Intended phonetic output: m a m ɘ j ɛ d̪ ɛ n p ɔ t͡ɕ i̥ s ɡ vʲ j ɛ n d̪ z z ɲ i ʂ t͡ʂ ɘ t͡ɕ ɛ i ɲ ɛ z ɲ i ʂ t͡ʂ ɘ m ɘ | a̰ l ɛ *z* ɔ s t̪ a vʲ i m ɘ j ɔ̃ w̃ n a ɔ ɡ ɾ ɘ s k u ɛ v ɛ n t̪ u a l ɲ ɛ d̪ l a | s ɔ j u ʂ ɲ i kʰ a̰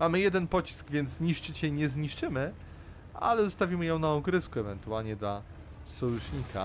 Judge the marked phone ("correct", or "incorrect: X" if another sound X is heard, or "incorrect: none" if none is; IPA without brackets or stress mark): correct